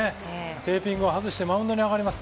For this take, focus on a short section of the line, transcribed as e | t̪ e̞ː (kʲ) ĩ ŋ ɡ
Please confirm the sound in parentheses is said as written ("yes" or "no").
no